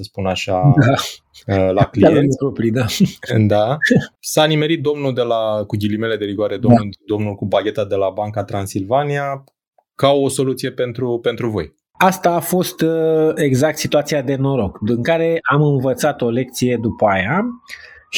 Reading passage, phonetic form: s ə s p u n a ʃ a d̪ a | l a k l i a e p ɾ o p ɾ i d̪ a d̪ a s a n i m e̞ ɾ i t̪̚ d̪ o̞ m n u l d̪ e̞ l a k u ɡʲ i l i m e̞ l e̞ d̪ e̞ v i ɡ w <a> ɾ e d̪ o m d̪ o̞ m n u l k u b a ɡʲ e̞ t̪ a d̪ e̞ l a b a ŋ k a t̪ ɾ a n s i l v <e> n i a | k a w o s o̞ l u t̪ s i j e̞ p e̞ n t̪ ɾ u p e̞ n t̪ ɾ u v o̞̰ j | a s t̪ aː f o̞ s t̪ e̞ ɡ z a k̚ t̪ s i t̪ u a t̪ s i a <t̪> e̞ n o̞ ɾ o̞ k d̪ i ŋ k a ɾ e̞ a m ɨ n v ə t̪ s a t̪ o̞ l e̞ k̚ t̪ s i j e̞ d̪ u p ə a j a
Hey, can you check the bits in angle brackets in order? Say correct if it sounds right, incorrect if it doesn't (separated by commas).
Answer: correct, incorrect, incorrect